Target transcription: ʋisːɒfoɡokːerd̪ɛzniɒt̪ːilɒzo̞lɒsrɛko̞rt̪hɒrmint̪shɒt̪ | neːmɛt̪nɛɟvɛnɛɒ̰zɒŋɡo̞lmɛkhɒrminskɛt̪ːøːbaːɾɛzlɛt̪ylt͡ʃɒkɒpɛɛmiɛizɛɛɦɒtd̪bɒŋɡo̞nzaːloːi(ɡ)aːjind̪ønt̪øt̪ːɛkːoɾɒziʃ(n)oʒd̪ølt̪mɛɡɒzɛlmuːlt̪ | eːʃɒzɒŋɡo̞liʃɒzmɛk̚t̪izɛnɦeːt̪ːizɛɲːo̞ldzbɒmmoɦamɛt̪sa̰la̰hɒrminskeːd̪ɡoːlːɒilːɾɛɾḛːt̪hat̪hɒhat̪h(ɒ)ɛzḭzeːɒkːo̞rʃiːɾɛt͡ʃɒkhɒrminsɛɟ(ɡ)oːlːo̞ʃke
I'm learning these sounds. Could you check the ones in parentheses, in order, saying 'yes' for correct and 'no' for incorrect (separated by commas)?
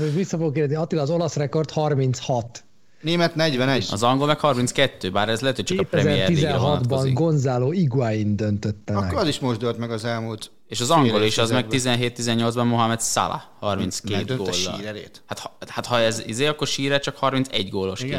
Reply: yes, no, yes, yes